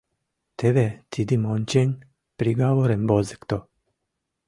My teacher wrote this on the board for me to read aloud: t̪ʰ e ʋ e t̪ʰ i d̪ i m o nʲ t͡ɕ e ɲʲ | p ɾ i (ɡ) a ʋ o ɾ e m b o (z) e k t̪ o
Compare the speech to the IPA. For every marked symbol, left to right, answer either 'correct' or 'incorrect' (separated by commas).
correct, correct